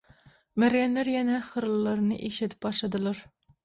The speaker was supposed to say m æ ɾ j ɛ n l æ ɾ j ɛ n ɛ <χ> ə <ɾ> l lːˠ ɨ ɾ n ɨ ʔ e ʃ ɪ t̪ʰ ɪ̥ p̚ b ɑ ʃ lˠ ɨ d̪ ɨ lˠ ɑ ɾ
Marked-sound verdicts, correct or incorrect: correct, correct

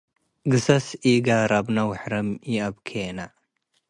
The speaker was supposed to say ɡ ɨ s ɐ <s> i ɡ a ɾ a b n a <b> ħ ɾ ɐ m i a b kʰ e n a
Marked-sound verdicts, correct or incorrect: correct, incorrect: w

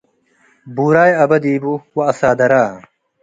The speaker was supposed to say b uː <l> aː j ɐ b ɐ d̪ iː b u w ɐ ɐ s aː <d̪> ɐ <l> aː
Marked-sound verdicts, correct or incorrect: incorrect: ɾ, correct, incorrect: ɾ

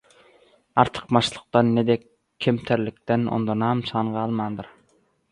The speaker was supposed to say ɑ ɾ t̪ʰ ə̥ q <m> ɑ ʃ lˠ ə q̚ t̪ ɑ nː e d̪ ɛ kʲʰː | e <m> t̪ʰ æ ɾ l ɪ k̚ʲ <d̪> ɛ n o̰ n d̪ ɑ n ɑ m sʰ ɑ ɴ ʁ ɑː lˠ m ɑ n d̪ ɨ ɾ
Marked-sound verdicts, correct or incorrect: correct, correct, incorrect: t̪

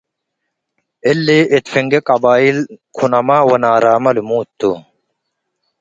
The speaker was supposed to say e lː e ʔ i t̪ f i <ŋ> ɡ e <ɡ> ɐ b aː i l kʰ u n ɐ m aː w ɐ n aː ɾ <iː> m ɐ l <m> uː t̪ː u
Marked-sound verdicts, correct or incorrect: correct, incorrect: k, incorrect: aː, correct

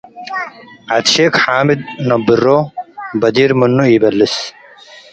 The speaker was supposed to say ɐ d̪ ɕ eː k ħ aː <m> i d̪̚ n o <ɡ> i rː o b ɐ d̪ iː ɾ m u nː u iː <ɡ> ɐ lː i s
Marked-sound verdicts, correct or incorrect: correct, incorrect: b, incorrect: b

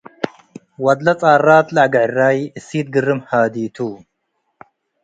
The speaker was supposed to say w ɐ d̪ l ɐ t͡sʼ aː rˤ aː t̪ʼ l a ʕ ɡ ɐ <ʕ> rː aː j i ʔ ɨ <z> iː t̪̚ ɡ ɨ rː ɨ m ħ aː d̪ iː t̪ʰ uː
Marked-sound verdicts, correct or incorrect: correct, incorrect: s

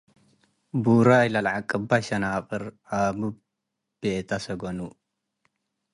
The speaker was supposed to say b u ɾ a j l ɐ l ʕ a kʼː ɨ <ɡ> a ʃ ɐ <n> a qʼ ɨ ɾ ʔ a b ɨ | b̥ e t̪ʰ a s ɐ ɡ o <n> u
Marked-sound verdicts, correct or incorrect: incorrect: b, correct, correct

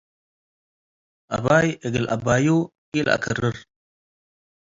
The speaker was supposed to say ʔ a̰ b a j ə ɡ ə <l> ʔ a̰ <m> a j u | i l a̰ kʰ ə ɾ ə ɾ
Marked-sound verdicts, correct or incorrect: correct, incorrect: b

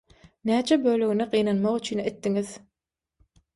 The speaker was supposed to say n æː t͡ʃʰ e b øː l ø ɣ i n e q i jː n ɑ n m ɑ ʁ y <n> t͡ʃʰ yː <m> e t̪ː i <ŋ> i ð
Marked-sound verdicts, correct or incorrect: incorrect: none, incorrect: n, correct

